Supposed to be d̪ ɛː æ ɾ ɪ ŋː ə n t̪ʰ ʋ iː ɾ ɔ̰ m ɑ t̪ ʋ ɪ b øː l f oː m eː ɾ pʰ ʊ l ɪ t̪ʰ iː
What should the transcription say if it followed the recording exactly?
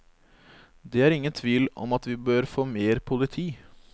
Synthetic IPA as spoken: d̪ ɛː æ ɾ ɪ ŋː ə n t̪ʰ ʋ iː l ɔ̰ m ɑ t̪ ʋ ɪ b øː ɾ f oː m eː ɾ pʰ ʊ l ɪ t̪ʰ iː

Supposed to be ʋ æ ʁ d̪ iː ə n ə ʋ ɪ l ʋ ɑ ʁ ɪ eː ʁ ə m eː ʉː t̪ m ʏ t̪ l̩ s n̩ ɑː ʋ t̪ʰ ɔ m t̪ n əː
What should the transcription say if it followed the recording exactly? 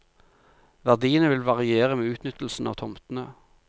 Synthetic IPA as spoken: ʋ æ ʁ d̪ iː ə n ə ʋ ɪ l ʋ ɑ ʁ ɪ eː ʁ ə m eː ʉː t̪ n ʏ t̪ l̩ s n̩ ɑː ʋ t̪ʰ ɔ m t̪ n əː

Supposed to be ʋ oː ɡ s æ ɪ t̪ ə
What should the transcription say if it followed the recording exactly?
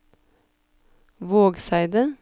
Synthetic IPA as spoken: ʋ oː ɡ s æ ɪ d̪ ə

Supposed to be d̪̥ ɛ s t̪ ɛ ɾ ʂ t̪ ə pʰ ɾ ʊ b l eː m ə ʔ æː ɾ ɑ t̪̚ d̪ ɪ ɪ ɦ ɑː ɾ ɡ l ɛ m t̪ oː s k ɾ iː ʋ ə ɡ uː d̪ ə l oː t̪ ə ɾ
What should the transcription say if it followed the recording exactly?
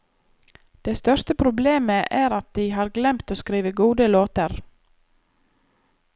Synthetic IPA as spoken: d̪̥ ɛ s t̪ œ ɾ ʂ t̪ ə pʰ ɾ ʊ b l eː m ə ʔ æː ɾ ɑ t̪̚ d̪ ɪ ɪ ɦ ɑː ɾ ɡ l ɛ m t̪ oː s k ɾ iː ʋ ə ɡ uː d̪ ə l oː t̪ ə ɾ

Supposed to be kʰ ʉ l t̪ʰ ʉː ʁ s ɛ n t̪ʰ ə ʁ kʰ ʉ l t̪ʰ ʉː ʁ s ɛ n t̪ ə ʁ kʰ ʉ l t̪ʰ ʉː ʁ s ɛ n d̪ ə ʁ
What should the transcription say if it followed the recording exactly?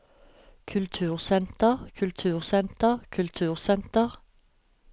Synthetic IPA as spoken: kʰ ʉ l t̪ʰ ʉː ʁ s ɛ n t̪ ə ʁ kʰ ʉ l t̪ʰ ʉː ʁ s ɛ n t̪ ə ʁ kʰ ʉ l t̪ʰ ʉː ʁ s ɛ n t̪ ə ʁ

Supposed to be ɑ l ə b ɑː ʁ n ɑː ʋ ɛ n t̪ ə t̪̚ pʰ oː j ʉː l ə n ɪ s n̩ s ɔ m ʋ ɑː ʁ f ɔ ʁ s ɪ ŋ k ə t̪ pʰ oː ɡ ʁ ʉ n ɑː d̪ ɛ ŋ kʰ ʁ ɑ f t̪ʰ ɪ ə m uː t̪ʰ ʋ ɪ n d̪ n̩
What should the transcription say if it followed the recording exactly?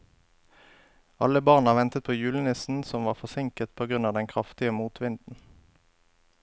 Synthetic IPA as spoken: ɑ l ə b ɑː ʁ n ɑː ʋ ɛ n t̪ ə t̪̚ pʰ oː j ʉː l ə n ɪ s n̩ s ɔ m ʋ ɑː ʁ f ɔ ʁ s ɪ ŋ k ə t̪ pʰ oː ɡ ʁ ʉ n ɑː d̪ ɛ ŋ kʰ ʁ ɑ f t̪ ɪ ə m uː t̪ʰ ʋ ɪ n d̪ n̩

